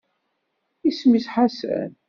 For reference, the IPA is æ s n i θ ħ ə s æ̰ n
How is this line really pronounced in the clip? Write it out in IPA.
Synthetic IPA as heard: i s m i s ħ a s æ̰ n